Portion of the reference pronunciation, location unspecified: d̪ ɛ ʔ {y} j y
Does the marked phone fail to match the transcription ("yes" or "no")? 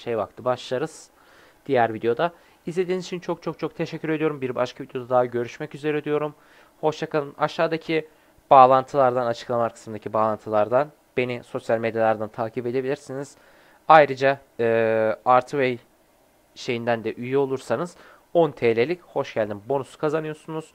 no